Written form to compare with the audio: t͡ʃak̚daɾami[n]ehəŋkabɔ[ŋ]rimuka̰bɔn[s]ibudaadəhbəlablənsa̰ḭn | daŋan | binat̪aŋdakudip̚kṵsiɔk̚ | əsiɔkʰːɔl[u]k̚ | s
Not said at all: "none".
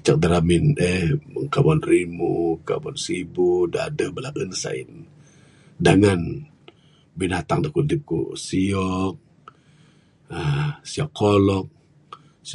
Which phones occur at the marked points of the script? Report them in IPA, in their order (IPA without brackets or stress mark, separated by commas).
n, n, s, ɔ